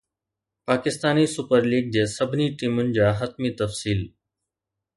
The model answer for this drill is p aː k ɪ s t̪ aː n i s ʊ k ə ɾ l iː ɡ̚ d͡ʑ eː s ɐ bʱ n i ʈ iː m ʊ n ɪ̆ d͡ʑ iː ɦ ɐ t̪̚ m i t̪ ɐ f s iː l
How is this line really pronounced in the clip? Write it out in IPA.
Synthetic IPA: p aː k ɪ s t̪ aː n i s ʊ p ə ɾ l iː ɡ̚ d͡ʑ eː s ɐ bʱ n i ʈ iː m ʊ n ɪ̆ d͡ʑ aː ɦ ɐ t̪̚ m i t̪ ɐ f s iː l